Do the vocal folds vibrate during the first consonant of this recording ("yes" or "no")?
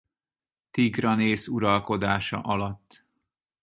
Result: no